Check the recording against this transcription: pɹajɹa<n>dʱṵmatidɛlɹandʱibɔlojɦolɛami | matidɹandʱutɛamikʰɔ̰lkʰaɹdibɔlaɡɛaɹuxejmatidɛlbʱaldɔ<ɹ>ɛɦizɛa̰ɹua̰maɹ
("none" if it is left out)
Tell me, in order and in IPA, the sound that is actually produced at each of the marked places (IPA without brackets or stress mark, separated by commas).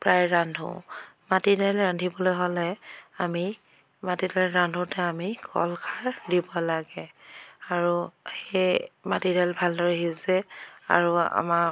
n, ɹ